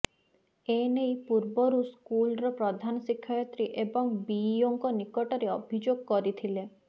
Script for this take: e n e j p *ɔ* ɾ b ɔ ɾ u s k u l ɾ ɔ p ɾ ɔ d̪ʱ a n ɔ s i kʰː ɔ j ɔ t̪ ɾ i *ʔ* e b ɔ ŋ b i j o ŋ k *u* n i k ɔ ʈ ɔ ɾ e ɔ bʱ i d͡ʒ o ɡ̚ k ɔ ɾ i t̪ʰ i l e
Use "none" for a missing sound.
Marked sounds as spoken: u, ʔ, ɔ

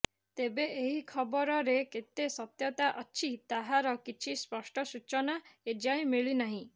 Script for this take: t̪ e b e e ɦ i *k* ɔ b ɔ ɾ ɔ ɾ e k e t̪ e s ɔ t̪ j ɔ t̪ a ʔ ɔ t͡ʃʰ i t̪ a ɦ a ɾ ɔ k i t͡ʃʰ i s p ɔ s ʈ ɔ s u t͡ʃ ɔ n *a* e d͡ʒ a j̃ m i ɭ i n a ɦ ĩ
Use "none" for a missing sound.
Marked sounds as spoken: kʰ, a

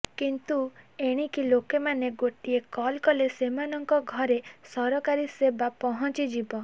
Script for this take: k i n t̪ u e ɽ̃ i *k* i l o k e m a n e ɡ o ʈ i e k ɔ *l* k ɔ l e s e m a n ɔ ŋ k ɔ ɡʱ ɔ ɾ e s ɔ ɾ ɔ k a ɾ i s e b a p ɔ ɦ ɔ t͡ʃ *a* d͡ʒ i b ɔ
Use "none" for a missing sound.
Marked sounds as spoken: k, l, i

